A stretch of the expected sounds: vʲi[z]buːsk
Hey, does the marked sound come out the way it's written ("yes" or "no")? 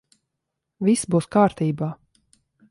no